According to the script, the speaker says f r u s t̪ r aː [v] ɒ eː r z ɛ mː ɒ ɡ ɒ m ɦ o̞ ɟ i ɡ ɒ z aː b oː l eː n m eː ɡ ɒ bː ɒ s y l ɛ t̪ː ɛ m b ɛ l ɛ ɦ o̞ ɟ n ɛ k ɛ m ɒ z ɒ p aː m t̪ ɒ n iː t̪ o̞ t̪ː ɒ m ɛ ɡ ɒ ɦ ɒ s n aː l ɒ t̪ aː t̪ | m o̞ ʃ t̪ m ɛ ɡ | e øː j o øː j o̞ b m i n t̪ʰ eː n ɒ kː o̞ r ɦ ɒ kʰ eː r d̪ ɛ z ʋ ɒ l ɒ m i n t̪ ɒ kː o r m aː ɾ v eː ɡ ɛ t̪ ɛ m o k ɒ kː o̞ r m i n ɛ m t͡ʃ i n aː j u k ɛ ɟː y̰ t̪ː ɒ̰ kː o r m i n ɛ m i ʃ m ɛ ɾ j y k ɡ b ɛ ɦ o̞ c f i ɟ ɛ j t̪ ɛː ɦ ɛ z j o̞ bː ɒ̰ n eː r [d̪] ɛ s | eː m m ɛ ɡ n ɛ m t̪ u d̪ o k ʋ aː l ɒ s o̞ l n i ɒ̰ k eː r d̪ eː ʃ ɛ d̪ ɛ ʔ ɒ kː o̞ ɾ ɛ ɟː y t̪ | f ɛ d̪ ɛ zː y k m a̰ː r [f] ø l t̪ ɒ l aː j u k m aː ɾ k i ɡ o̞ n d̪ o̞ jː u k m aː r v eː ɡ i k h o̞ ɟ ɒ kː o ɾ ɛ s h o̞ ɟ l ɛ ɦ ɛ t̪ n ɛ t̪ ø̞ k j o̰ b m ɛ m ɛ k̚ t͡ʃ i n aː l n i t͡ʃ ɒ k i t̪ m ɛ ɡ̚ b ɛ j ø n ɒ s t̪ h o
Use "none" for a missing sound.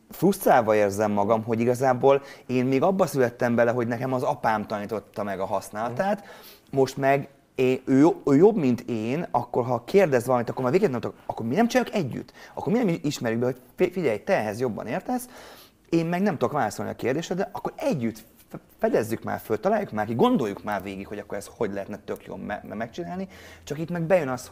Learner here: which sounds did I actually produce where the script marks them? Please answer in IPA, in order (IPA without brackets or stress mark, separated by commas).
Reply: v, t̪, f